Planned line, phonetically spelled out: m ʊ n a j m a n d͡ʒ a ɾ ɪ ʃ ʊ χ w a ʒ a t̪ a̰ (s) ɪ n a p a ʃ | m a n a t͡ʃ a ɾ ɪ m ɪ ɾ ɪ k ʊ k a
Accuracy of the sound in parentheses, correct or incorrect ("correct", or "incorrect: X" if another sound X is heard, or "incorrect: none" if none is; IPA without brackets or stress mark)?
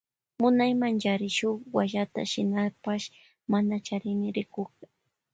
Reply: incorrect: ʃ